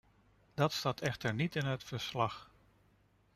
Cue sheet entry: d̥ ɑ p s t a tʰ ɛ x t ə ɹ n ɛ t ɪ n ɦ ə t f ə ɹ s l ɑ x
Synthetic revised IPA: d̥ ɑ t s t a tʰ ɛ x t ə ɹ n i t ɪ n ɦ ə t f ə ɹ s l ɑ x